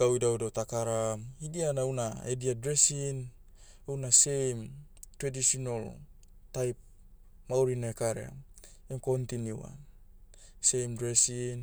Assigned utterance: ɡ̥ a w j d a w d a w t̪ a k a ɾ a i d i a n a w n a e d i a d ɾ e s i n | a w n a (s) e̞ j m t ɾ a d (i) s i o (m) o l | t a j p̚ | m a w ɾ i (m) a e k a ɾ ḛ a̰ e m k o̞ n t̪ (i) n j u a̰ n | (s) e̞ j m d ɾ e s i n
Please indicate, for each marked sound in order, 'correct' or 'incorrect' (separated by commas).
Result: correct, correct, incorrect, incorrect, correct, correct